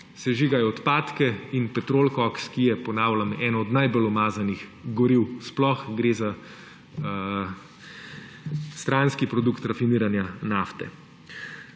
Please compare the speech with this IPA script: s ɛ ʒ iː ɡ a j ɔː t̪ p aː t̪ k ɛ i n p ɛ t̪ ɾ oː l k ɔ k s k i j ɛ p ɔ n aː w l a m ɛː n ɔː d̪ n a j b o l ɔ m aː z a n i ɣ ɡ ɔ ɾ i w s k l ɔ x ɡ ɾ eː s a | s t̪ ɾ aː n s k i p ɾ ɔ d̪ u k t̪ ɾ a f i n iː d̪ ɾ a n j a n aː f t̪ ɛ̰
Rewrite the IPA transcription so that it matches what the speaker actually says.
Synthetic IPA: s ɛ ʒ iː ɡ a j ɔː t̪ p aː t̪ k ɛ i n p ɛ t̪ ɾ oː l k ɔ k s k i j ɛ p ɔ n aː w l a m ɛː n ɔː d̪ n a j b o l ɔ m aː z a n i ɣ ɡ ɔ ɾ i w s p l ɔ x ɡ ɾ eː z a | s t̪ ɾ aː n s k i p ɾ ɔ d̪ u k t̪ ɾ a f i n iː ɾ a n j a n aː f t̪ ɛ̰